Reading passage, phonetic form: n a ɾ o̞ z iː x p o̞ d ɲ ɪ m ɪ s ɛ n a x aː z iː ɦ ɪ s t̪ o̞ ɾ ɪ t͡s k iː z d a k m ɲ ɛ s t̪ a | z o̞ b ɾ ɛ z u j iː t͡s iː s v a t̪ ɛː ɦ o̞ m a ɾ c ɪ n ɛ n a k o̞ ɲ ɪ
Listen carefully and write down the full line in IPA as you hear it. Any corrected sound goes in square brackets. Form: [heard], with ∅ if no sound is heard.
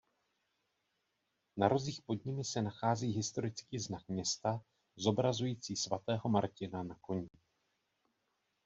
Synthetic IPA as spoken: n a ɾ o̞ z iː x p o̞ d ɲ ɪ m ɪ s ɛ n a x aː z iː ɦ ɪ s t̪ o̞ ɾ ɪ t͡s k iː z [n] a k m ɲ ɛ s t̪ a | z o̞ b ɾ [a] z u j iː t͡s iː s v a t̪ ɛː ɦ o̞ m a ɾ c ɪ n [a] n a k o̞ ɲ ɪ

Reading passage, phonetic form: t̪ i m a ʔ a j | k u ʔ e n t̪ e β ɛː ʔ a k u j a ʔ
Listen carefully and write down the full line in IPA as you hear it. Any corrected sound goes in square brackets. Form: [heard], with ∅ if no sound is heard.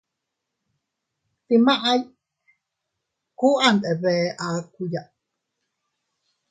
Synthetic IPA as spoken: t̪ i m a ʔ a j | k u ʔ [a] n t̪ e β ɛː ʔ a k u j a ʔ

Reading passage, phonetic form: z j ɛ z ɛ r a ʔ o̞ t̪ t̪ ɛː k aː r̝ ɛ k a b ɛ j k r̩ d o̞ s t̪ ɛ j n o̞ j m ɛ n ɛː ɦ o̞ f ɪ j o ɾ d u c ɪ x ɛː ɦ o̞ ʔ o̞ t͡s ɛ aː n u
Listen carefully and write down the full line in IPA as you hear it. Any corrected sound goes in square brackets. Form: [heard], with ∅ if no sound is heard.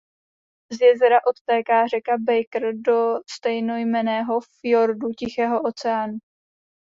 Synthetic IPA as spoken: z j ɛ z ɛ [ɾ] a ʔ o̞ t̪ t̪ ɛː k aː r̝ ɛ k a b ɛ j k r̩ d o̞ s t̪ ɛ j n o̞ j m ɛ n ɛː ɦ o̞ f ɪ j o ɾ d u c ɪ x ɛː ɦ o̞ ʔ o̞ t͡s ɛ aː n u

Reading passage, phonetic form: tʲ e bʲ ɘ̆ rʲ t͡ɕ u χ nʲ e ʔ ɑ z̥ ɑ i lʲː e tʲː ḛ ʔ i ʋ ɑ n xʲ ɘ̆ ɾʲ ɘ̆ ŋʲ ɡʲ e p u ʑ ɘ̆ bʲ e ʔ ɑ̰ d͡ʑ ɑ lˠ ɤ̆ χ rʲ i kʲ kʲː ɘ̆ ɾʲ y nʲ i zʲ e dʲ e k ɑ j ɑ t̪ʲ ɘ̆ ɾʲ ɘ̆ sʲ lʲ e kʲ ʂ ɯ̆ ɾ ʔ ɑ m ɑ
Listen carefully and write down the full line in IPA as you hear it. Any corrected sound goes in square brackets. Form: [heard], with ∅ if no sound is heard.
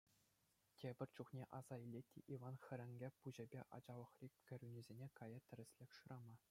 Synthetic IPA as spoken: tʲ e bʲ ɘ̆ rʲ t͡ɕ u χ nʲ e ʔ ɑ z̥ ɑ i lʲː e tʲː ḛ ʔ i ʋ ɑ n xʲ ɘ̆ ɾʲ ɘ̆ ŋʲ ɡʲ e p u ʑ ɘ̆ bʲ e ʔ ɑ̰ d͡ʑ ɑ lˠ ɤ̆ χ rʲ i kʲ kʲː ɘ̆ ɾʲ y nʲ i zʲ e [nʲ] e k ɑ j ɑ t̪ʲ ɘ̆ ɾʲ ɘ̆ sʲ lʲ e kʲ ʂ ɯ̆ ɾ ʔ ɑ m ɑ

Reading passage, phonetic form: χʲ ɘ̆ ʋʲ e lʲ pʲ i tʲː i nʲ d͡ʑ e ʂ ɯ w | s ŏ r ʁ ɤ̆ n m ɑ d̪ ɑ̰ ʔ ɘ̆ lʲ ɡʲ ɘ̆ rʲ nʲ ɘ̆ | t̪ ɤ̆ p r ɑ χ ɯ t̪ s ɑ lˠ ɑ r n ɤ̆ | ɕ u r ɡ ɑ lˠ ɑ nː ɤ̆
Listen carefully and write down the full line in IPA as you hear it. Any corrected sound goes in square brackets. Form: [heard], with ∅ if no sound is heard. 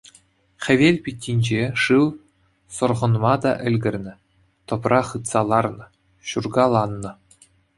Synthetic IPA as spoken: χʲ ɘ̆ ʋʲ e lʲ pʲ i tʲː i nʲ d͡ʑ e ʂ ɯ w | s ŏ r ʁ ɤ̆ n m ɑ d̪ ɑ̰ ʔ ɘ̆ lʲ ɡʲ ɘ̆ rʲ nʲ ɘ̆ | t̪ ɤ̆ p r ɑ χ ɯ t̪ s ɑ lˠ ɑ r n ɤ̆ | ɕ u r ɡ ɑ lˠ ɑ nː ɤ̆

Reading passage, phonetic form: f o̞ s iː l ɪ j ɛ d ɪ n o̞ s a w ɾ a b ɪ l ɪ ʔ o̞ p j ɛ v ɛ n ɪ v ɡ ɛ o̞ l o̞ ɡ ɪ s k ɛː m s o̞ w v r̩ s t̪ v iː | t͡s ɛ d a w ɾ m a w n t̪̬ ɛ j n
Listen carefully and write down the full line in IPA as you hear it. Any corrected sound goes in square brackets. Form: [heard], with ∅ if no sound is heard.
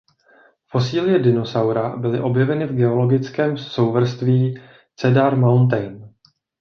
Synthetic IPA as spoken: f o̞ s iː l ɪ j ɛ d ɪ n o̞ s a w ɾ a b ɪ l ɪ ʔ o̞ [b] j ɛ v ɛ n ɪ v ɡ ɛ o̞ l o̞ ɡ ɪ [t͡s] k ɛː m s o̞ w v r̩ s t̪ v iː | t͡s ɛ d a [∅] ɾ m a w n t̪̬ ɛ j n

